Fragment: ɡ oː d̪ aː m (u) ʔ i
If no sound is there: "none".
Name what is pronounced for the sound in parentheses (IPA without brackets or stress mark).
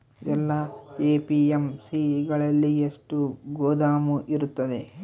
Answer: u